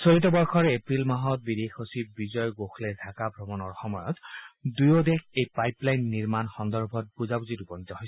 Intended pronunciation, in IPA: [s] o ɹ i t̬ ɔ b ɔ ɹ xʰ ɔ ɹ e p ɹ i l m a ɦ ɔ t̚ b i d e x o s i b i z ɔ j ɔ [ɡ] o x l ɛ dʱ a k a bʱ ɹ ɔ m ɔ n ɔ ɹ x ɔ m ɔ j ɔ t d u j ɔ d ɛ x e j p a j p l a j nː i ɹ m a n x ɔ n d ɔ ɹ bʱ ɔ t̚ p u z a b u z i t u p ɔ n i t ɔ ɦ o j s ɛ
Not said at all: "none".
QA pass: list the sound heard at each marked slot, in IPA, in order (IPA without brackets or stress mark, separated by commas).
s, ɡ